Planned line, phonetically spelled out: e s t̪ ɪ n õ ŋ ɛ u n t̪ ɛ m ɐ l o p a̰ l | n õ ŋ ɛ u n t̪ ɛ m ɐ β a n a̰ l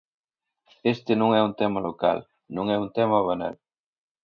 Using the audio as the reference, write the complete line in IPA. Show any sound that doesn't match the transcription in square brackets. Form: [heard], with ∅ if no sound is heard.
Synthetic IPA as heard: e s t̪ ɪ n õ ŋ ɛ u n t̪ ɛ m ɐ l o [k] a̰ l | n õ ŋ ɛ u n t̪ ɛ m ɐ β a n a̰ l

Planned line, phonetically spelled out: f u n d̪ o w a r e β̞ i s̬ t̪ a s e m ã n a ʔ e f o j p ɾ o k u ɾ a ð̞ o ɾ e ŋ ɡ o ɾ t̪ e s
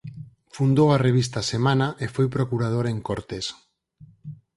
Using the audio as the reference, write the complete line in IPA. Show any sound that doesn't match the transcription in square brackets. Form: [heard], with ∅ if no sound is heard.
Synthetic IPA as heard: f u n d̪ o w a r e β̞ i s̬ t̪ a s e m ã n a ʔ e f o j p ɾ o k u ɾ a ð̞ o ɾ e ŋ [k] o ɾ t̪ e s

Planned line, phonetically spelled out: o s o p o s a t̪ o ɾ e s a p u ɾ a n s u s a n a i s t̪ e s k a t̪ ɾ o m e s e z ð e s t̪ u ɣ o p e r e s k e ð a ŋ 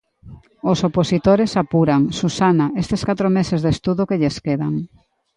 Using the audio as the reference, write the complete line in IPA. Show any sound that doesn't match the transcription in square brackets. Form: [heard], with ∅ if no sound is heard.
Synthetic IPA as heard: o s o p o s [i] t̪ o ɾ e s a p u ɾ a [ŋ] s u s a n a [e] s t̪ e s k a t̪ ɾ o m e s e z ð e s t̪ u [ð] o [k] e [ʎ] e s k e ð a ŋ

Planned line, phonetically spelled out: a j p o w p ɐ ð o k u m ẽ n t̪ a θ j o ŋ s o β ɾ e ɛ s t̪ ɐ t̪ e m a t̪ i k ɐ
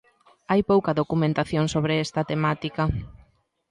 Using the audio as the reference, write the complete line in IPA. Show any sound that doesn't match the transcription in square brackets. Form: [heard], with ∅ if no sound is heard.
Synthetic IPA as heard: a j p o w [k] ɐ ð o k u m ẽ n t̪ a θ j o ŋ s o β ɾ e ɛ s t̪ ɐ t̪ e m a t̪ i k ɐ

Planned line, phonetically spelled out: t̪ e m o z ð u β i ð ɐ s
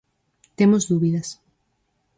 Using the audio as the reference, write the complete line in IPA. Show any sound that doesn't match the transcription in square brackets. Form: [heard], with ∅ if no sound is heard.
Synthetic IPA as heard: t̪ e m o z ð u β i ð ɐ s

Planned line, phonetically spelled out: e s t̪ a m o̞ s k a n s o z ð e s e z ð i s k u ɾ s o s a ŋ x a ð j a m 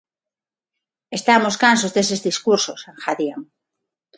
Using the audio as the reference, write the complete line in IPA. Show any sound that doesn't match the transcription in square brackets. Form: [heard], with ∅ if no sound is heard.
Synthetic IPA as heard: e s t̪ a m o̞ s k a n s o z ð e s e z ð i s k u ɾ s o s a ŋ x a ð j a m

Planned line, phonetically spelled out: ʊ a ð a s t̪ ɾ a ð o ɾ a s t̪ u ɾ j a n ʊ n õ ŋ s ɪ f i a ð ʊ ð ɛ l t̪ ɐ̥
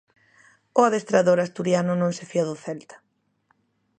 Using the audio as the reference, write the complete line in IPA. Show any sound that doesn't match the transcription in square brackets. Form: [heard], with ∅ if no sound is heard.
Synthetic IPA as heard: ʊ a ð [e] s t̪ ɾ a ð o ɾ a s t̪ u ɾ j a n ʊ n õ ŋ s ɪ f i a ð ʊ [θ] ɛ l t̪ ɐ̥

